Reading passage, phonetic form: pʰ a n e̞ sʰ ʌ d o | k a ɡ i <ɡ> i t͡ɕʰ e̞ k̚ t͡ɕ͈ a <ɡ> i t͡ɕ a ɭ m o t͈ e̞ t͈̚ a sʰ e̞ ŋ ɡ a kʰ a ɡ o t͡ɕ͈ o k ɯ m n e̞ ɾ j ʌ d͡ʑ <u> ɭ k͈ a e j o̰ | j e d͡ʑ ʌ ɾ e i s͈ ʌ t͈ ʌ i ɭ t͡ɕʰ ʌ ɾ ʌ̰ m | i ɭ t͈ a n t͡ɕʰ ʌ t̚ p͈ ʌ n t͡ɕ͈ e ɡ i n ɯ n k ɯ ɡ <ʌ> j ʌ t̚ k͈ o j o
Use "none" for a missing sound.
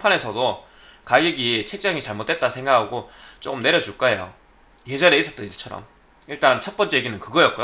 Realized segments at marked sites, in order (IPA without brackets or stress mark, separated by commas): ɡ, ŋ, u, ʌ